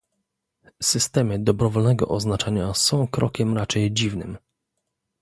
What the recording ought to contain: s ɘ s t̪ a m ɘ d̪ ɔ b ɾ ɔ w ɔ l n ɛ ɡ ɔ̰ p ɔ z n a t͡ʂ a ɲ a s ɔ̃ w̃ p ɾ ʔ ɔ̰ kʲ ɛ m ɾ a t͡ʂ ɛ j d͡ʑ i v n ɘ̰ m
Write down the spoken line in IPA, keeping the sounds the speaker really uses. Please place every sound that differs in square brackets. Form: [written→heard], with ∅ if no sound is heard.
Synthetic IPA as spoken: s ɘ s t̪ [a→ɛ] m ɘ d̪ ɔ b ɾ ɔ [w→v] ɔ l n ɛ ɡ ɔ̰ [p→ʔ] ɔ z n a t͡ʂ a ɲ a s ɔ̃ w̃ [p→k] ɾ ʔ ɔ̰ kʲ ɛ m ɾ a t͡ʂ ɛ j d͡ʑ i v n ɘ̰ m